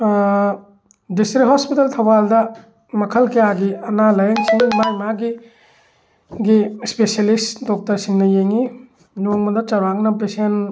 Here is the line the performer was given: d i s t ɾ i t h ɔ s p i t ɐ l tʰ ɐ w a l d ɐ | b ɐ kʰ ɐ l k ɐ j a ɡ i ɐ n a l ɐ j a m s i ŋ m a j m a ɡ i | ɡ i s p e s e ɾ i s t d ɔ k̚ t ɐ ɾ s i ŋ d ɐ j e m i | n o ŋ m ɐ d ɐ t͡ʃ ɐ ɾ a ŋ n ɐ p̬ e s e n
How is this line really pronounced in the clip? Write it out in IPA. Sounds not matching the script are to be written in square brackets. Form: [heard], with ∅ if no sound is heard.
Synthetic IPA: d i s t ɾ i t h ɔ s p i t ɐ l tʰ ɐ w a l d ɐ | [m] ɐ kʰ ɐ l k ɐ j a ɡ i ɐ n a l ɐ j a [ŋ] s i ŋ m a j m a ɡ i | ɡ i s p e s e [l] i s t d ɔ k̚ t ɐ ɾ s i ŋ [n] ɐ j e [ŋ] i | n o ŋ m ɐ d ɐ t͡ʃ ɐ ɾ a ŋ n ɐ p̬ e s e n